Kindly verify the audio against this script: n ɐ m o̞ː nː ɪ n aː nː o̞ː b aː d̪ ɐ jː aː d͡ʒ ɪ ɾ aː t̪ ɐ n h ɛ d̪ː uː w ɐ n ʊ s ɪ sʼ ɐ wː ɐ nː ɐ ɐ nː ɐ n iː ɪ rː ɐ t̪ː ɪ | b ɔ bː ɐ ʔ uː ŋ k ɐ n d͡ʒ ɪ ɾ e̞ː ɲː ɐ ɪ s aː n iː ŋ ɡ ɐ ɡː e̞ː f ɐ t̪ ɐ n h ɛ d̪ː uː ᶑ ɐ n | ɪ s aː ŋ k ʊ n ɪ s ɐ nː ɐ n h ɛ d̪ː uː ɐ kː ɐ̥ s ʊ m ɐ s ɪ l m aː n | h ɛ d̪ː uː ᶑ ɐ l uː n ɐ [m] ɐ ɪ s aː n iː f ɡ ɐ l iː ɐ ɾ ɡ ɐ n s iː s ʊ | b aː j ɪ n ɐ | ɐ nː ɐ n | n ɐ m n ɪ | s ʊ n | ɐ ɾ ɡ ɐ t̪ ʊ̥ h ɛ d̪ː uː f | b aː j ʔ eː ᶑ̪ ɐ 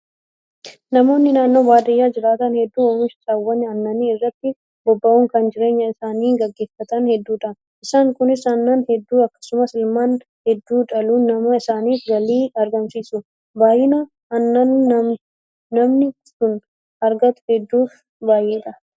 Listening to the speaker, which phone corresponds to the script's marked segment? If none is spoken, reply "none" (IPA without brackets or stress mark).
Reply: m